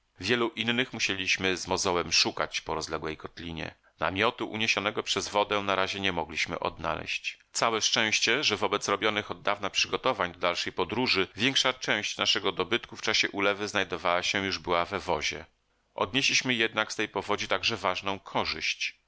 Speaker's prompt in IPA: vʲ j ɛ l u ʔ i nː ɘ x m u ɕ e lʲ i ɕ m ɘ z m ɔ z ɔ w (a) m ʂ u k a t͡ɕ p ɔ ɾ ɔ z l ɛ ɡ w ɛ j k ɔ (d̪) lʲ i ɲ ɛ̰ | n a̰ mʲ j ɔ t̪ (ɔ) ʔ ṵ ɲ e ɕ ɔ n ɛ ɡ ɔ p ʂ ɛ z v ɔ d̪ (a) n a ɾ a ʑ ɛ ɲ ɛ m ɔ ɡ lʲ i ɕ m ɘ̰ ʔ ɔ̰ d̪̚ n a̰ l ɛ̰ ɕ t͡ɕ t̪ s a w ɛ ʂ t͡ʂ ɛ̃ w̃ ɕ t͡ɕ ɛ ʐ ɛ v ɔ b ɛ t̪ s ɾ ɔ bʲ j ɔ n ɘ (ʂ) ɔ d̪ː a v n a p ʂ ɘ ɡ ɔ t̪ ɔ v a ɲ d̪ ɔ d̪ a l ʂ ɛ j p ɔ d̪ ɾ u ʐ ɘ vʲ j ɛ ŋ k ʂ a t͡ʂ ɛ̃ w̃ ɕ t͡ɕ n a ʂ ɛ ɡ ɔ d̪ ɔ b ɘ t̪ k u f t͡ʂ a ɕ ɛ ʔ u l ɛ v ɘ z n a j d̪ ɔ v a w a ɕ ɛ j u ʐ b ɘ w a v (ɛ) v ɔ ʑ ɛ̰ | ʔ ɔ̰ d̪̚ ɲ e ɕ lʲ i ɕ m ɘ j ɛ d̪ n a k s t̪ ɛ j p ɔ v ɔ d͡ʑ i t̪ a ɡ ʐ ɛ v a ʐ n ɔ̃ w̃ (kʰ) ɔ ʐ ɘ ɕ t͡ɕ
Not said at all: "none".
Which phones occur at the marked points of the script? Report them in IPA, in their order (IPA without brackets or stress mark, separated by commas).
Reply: ɛ, t̪, u, ɛ, x, ɛ, kʰ